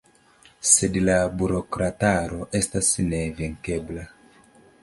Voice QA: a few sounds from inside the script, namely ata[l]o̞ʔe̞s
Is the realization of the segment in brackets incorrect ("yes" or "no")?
yes